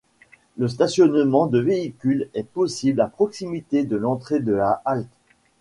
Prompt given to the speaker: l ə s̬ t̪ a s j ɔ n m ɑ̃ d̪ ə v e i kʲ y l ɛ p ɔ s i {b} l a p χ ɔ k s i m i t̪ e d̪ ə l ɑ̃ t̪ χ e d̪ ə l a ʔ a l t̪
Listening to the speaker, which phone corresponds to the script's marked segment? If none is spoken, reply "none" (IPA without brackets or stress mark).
b